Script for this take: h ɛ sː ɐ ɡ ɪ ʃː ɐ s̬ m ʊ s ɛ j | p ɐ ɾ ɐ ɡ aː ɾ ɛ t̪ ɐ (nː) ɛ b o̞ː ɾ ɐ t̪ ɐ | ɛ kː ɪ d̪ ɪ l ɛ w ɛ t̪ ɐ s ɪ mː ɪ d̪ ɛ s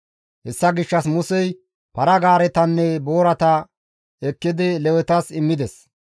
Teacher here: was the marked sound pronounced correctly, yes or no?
yes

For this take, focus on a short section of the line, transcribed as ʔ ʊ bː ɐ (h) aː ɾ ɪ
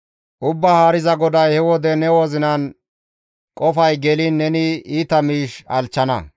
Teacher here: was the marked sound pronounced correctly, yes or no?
yes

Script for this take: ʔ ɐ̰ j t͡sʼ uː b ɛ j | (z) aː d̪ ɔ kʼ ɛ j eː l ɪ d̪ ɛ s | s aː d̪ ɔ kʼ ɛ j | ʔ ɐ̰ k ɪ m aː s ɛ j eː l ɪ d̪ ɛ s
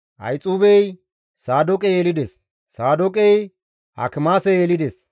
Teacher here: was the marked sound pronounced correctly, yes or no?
no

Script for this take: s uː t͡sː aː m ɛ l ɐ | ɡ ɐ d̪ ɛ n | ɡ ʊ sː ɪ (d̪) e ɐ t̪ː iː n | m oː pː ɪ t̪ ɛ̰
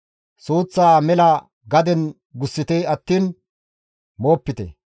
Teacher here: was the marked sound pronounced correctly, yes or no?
no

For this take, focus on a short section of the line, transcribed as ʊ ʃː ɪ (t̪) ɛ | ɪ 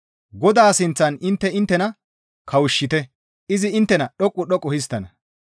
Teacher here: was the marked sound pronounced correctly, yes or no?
yes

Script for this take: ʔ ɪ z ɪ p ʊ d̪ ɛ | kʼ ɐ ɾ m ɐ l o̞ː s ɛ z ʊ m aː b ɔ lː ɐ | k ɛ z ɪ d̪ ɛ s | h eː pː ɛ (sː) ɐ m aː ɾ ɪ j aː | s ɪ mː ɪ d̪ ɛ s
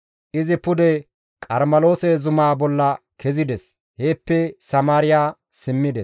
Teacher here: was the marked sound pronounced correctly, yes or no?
no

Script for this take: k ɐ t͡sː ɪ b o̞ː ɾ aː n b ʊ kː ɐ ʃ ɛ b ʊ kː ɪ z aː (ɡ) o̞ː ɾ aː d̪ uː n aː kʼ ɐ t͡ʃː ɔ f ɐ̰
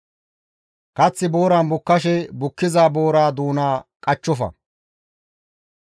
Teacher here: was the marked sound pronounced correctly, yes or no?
no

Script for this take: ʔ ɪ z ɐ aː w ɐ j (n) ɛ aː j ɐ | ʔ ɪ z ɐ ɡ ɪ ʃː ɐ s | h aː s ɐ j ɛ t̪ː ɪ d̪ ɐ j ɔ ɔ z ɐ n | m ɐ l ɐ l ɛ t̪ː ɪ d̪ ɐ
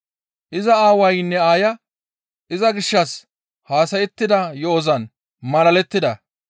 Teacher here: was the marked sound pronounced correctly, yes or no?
no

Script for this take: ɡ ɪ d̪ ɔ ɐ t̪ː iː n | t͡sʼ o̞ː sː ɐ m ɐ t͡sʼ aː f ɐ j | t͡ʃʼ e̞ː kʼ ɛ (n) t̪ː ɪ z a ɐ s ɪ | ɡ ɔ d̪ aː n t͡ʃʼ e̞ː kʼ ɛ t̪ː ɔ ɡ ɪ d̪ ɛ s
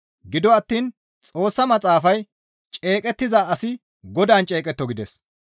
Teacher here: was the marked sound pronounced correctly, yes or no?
no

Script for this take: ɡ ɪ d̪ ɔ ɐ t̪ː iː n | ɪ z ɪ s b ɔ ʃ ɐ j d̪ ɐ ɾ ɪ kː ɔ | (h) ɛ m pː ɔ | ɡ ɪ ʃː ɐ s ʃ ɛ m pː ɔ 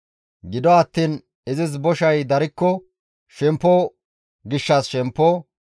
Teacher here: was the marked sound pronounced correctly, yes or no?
no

